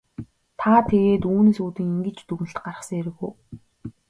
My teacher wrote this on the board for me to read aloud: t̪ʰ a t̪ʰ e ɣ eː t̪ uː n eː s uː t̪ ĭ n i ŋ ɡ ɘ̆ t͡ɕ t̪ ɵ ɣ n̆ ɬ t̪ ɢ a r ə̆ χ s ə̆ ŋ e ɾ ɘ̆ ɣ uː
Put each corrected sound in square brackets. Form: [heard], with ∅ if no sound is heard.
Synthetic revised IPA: t̪ʰ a t̪ʰ e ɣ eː t̪ uː n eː s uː t̪ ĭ [ŋ] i ŋ ɡ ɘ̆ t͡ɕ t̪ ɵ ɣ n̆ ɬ t̪ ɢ a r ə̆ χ s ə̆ ŋ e ɾ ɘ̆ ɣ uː